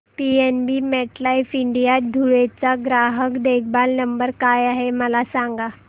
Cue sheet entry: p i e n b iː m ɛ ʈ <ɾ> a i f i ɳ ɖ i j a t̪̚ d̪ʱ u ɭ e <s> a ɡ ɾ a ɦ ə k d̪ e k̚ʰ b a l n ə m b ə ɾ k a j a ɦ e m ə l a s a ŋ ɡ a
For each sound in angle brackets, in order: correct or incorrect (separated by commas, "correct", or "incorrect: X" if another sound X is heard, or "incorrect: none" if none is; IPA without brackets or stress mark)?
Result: incorrect: l, incorrect: t͡s